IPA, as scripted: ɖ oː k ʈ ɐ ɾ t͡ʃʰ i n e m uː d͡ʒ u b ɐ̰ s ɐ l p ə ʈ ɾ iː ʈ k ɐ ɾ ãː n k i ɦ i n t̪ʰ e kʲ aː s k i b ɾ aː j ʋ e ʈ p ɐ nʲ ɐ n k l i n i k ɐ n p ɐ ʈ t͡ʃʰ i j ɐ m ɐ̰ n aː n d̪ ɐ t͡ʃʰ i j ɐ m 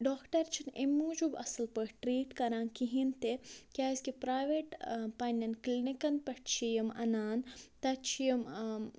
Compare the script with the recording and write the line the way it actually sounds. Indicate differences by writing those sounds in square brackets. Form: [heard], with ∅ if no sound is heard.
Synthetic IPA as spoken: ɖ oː k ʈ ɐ ɾ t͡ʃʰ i n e m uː d͡ʒ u b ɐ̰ s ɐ l p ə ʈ ɾ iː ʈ k ɐ ɾ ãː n k i ɦ i n [t̪] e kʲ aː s k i [p] ɾ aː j ʋ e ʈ p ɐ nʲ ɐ n k l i n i k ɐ n p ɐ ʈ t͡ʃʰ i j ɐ m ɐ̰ n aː n [t̪] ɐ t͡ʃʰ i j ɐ m